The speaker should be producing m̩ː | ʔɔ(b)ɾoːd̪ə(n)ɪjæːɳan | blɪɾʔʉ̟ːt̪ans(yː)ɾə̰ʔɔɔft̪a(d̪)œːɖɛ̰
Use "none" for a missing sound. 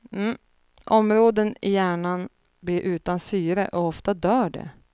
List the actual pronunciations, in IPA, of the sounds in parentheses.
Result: m, n, yː, d̪

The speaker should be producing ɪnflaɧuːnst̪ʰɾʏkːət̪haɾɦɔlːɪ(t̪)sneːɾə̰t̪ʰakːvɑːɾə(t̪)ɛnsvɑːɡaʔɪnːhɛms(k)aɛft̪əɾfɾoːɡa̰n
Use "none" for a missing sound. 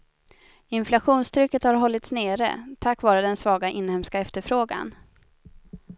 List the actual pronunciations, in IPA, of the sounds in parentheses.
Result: t̪, d̪, k

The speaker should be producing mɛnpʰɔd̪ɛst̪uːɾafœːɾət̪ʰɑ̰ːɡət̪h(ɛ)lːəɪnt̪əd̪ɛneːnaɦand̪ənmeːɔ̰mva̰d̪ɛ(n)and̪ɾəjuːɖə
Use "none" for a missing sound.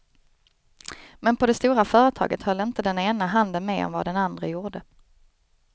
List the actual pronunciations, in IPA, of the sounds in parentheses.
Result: œ, n

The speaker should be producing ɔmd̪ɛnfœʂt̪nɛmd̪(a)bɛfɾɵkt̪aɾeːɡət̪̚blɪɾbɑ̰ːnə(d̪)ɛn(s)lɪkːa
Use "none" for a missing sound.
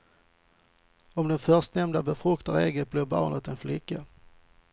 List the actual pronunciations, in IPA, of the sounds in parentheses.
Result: a, t̪, f

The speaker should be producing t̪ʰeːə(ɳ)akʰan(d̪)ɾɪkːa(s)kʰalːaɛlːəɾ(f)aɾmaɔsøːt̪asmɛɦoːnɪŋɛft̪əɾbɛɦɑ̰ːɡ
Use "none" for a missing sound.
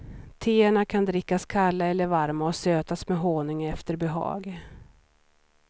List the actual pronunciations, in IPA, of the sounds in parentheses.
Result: ɳ, d̪, s, v

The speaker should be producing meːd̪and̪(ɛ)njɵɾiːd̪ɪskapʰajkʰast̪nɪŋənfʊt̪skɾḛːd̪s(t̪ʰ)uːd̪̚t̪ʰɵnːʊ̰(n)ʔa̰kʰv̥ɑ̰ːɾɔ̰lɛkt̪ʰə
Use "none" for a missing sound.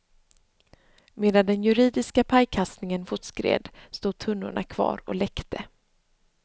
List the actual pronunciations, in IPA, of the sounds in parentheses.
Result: ɛ, t̪, ɳ

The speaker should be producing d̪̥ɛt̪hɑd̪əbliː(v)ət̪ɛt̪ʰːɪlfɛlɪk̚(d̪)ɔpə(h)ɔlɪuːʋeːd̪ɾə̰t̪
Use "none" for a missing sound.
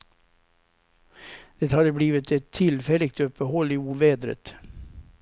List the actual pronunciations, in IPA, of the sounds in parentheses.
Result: ʋ, t̪, h

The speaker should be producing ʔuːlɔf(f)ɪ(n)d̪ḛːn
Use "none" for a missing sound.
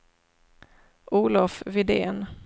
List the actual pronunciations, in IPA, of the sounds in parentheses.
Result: v, none

